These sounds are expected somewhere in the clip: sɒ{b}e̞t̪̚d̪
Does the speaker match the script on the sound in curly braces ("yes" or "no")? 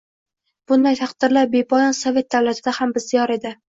no